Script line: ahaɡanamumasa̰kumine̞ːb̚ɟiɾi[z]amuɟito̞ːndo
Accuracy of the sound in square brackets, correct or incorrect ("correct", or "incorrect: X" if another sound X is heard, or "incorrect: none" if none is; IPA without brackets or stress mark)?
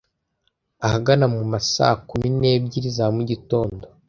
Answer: correct